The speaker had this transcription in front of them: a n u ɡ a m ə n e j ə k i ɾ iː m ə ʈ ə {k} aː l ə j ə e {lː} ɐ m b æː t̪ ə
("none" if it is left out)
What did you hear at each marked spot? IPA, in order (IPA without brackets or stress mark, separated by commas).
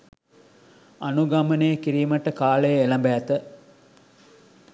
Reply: k, l